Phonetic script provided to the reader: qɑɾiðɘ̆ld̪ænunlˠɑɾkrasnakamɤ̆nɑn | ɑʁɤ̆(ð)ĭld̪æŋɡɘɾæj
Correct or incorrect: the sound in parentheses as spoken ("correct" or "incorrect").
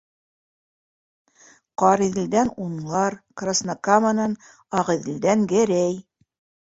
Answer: correct